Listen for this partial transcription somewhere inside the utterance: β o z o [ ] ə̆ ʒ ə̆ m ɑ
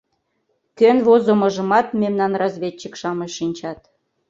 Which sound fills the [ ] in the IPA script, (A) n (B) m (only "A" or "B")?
B